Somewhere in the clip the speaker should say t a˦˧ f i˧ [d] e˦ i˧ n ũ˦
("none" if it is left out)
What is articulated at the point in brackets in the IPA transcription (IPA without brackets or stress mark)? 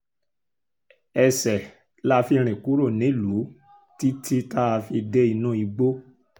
d